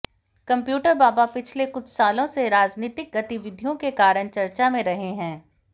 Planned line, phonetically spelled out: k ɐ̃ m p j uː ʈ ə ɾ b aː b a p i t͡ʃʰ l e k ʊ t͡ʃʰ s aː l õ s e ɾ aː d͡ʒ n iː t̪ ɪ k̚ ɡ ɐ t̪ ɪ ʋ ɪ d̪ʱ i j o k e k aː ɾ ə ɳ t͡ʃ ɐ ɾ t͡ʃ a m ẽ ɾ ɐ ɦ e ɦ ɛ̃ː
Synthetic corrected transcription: k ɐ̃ m p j uː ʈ ə ɾ b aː b a p ɪ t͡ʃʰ l e k ʊ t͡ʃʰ s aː l õ s e ɾ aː d͡ʒ n iː t̪ ɪ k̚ ɡ ɐ t̪ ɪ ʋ ɪ d̪ʱ i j õ k e k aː ɾ ə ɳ t͡ʃ ɐ ɾ t͡ʃ a m ẽ ɾ ɐ ɦ e ɦ ɛ̃ː